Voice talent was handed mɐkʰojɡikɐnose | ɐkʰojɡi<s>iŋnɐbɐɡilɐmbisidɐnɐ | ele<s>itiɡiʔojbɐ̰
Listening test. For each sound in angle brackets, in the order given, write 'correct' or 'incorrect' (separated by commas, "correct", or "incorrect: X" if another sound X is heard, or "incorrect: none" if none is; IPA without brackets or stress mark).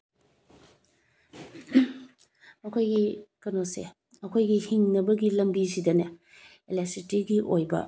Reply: incorrect: h, correct